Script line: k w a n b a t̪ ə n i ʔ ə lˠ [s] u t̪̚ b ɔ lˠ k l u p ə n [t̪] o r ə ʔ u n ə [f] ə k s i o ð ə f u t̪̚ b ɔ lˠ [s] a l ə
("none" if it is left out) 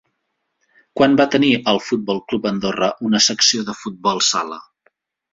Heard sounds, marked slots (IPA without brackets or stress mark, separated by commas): f, d̪, s, s